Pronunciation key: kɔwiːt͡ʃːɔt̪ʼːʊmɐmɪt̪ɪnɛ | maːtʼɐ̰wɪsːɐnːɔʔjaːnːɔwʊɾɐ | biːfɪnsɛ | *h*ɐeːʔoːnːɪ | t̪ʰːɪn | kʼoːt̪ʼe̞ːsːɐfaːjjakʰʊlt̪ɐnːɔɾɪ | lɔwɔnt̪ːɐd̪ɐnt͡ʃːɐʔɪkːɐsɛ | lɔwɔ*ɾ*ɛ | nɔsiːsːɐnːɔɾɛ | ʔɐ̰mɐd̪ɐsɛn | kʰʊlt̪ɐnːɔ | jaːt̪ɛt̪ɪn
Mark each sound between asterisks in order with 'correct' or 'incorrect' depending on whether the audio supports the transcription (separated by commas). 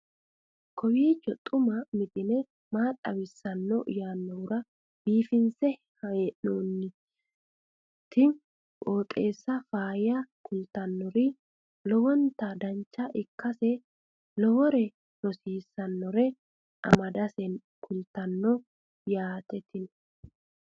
correct, correct